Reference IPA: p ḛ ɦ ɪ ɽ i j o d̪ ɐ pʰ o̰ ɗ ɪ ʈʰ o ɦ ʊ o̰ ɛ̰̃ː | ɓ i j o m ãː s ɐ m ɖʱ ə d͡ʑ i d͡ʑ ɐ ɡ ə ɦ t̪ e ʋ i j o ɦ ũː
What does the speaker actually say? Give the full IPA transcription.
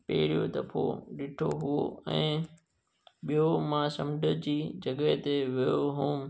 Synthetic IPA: p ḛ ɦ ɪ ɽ i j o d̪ ɐ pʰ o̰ ɗ ɪ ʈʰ o ɦ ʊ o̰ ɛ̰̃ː | ɓ i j o m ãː s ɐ m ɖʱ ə d͡ʑ iː d͡ʑ ɐ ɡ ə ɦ t̪ e ʋ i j o ɦ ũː